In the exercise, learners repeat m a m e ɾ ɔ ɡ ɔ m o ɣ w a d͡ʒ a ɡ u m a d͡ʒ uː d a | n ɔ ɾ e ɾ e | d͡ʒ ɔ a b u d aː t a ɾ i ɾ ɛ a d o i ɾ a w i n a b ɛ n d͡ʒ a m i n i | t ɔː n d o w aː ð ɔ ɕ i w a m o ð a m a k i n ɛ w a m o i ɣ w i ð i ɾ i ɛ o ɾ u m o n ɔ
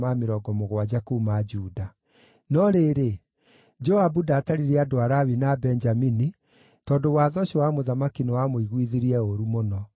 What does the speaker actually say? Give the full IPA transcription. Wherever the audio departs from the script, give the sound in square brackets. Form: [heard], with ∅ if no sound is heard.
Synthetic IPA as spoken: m a m e ɾ ɔ ɡ ɔ m o ɣ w a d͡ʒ a [k] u m a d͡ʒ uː d a | n ɔ ɾ e ɾ e | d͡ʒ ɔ a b u d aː t a ɾ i ɾ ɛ a d o [a] ɾ a w i n a b ɛ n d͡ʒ a m i n i | t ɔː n d o w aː ð ɔ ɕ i w a m o ð a m a k i n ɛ w a m o i ɣ w i ð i ɾ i ɛ o ɾ u m o n ɔ